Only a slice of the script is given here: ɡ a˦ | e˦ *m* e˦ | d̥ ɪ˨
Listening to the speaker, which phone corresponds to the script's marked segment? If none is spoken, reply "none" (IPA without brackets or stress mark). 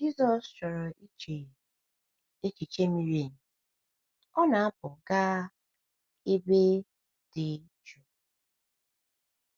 b